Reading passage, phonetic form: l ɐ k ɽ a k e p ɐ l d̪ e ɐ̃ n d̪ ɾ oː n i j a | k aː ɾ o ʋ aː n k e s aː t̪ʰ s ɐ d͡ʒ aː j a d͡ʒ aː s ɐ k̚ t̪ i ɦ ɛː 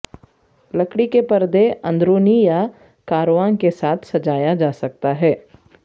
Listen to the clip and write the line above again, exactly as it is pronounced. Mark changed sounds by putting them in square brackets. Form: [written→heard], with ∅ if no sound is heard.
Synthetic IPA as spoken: l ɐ k ɽ [a→i] k e p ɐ [l→ɾ] d̪ e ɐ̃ n d̪ ɾ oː n i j a | k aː ɾ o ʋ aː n k e s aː t̪ʰ s ɐ d͡ʒ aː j a d͡ʒ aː s ɐ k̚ t̪ [i→a] ɦ ɛː